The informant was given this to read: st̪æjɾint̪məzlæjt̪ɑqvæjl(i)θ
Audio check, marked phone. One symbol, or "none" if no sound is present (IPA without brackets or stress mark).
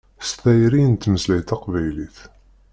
i